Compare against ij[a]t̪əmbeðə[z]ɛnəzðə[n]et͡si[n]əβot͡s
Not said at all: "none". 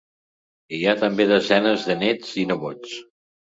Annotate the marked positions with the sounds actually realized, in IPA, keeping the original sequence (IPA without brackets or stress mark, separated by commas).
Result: a, z, n, n